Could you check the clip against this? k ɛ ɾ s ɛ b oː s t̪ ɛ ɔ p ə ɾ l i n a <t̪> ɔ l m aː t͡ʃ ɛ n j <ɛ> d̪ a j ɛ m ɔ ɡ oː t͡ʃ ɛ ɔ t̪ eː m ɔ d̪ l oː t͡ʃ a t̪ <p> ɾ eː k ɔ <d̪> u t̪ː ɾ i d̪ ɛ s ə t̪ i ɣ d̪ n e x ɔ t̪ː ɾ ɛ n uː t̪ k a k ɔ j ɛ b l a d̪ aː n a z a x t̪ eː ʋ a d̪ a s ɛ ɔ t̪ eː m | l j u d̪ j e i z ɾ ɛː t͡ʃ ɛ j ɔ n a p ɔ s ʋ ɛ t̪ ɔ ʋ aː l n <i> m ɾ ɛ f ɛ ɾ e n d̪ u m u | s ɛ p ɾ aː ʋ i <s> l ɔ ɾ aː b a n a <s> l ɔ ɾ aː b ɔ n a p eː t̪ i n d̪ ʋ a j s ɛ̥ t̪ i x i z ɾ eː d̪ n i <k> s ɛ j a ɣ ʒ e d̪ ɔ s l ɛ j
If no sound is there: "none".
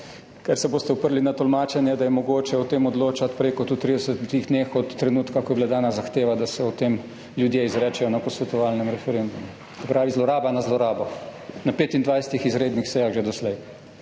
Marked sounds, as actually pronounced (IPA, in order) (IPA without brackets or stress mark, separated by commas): t̪, ɛ, p, t̪, ɛ, z, z, x